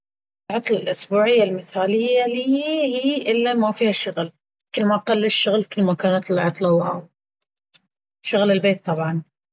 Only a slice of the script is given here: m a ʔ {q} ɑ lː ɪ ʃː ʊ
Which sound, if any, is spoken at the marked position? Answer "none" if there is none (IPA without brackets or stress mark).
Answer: q